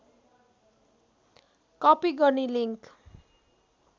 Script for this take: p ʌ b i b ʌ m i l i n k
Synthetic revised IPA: k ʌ p i ɡ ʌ n i l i ŋ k